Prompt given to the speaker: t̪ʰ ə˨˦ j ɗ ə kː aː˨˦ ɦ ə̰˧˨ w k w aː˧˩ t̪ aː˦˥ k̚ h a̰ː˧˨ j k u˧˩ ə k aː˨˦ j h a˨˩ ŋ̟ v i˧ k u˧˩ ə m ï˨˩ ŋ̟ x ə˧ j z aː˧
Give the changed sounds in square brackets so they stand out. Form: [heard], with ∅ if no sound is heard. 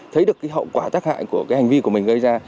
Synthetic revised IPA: t̪ʰ ə˨˦ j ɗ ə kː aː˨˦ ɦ ə̰˧˨ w k w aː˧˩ t̪ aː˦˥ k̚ h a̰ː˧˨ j k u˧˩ ə k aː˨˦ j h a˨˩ ŋ̟ v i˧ k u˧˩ ə m ï˨˩ ŋ̟ [ɣ] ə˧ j z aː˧